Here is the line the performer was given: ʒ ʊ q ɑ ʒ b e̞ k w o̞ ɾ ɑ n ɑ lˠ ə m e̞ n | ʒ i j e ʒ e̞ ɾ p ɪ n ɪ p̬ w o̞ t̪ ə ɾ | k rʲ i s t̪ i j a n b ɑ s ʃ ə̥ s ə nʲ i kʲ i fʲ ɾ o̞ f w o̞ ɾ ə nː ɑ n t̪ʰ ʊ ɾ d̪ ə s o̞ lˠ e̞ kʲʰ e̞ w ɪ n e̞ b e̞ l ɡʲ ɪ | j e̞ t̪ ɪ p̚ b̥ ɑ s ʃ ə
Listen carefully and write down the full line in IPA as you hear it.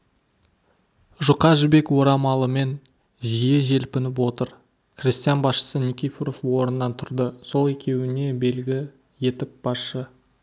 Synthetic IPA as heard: ʒ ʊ q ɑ ʒ b e̞ k w o̞ ɾ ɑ m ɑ lˠ ə m e̞ n | ʒ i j e ʒ e̞ l p ɪ n ɪ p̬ w o̞ t̪ ə ɾ | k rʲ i s t̪ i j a n b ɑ s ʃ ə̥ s ə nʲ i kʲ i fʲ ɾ o̞ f w o̞ ɾ ə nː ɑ n t̪ʰ ʊ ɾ d̪ ə s o̞ lˠ e̞ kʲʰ e̞ w ɪ n e̞ b e̞ l ɡʲ ɪ | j e̞ t̪ ɪ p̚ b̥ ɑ s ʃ ə